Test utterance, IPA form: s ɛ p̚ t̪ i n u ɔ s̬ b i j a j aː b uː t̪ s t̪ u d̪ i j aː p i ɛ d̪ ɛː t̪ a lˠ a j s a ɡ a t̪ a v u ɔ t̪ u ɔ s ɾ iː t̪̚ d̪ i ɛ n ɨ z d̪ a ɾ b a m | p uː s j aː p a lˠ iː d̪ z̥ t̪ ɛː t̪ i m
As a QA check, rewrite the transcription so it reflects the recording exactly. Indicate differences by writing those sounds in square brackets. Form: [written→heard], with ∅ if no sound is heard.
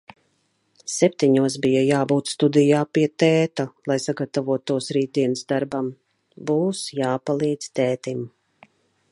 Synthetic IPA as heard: s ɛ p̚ t̪ i [n→ɲ] u ɔ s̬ b i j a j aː b uː t̪ s t̪ u d̪ i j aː p i ɛ [d̪→t̪] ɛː t̪ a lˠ a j s a ɡ a t̪ a v u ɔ t̪ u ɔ s ɾ iː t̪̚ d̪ i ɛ n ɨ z d̪ a ɾ b a m | [p→b] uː s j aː p a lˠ iː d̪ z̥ t̪ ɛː t̪ i m

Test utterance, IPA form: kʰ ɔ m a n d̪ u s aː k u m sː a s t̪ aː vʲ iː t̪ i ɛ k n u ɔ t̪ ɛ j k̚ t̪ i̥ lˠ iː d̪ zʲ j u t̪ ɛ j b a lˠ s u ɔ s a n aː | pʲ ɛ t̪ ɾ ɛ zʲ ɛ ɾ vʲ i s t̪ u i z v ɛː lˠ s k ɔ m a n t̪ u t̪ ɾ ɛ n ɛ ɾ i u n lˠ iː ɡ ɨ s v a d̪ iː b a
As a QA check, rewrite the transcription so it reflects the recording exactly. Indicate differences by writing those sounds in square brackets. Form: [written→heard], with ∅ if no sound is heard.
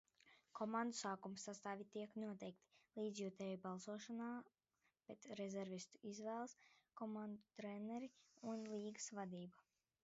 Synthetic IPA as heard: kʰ ɔ m a n d̪ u s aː k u m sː a s t̪ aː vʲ [iː→i] t̪ i ɛ k n u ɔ t̪ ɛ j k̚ t̪ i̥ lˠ iː d̪ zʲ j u t̪ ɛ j b a lˠ s u ɔ [s→ʃ] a n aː | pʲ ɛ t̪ ɾ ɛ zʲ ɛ ɾ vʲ i s t̪ u i z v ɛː lˠ s k ɔ m a n [t̪→d̪] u t̪ ɾ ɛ n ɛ ɾ i u n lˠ iː ɡ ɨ s v a d̪ iː b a

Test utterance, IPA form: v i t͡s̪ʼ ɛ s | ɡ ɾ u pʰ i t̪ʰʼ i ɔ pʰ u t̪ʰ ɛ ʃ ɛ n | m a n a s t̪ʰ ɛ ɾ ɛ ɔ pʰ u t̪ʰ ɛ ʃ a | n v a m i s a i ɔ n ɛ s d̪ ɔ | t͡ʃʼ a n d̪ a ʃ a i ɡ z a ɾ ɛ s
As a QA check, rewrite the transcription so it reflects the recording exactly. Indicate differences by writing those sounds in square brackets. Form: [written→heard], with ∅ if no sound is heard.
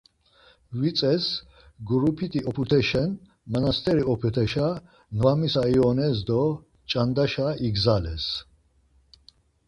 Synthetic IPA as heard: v i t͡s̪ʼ ɛ s | ɡ ɾ u pʰ i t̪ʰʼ i ɔ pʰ u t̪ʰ ɛ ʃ ɛ n | m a n a s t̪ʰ ɛ ɾ [ɛ→i] ɔ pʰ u t̪ʰ ɛ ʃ a | n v a m i s a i ɔ n ɛ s d̪ ɔ | t͡ʃʼ a n d̪ a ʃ a i ɡ z a [ɾ→l] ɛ s

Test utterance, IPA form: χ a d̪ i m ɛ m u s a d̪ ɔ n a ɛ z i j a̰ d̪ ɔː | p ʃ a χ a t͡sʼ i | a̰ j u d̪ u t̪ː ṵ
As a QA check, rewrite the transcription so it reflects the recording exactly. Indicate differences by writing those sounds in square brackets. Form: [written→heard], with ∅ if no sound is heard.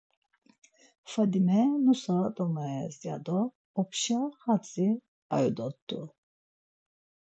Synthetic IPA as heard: [χ→f] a d̪ i m ɛ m u s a d̪ ɔ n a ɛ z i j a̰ d̪ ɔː | p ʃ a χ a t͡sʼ i | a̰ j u d̪ [u→ɔ] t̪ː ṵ

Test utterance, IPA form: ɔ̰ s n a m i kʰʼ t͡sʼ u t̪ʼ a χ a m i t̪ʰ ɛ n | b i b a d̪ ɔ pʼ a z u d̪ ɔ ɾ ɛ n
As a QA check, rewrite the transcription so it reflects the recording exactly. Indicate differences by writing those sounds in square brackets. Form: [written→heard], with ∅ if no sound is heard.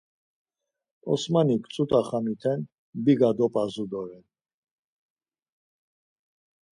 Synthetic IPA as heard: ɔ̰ s [n→m] a [m→n] i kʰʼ t͡sʼ u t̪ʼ a χ a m i t̪ʰ ɛ n | b i [b→ɡ] a d̪ ɔ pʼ a z u d̪ ɔ ɾ ɛ n

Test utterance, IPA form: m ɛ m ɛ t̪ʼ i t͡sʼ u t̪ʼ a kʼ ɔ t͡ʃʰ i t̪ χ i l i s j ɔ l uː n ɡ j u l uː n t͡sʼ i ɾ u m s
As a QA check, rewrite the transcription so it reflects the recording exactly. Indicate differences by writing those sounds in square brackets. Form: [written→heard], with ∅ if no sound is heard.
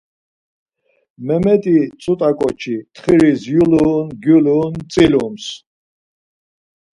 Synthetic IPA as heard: m ɛ m ɛ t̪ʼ i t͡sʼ u t̪ʼ a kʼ ɔ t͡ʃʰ i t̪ χ i [l→ɾ] i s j [ɔ→u] l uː n ɡ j u l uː n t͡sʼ i [ɾ→l] u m s

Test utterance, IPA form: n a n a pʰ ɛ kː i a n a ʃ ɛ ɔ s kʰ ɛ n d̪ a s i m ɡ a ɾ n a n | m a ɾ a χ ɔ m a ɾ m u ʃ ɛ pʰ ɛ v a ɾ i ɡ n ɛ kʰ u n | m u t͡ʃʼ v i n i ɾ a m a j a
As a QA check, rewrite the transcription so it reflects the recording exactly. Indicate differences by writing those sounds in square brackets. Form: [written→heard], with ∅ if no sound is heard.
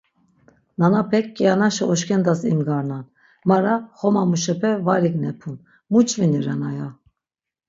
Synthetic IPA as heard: n a n a pʰ ɛ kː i a n a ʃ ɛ ɔ [s→ʃ] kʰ ɛ n d̪ a s i m ɡ a ɾ n a n | m a ɾ a χ ɔ m a [ɾ→∅] m u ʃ ɛ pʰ ɛ v a ɾ i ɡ n ɛ [kʰ→pʰ] u n | m u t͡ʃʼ v i n i ɾ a [m→n] a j a

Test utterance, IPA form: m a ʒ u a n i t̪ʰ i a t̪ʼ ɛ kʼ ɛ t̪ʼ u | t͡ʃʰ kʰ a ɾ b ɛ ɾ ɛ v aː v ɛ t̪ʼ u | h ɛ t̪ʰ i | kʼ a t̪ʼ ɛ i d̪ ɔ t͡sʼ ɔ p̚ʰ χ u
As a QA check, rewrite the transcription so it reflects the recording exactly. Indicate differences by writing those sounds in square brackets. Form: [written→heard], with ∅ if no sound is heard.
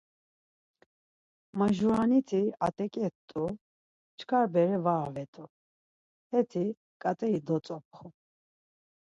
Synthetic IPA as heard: m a ʒ u a n i t̪ʰ i a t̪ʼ ɛ kʼ ɛ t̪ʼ u | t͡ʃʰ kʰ a ɾ b ɛ ɾ ɛ v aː v ɛ t̪ʼ u | h ɛ t̪ʰ i | kʼ a t̪ʼ ɛ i d̪ ɔ t͡sʼ ɔ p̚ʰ χ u

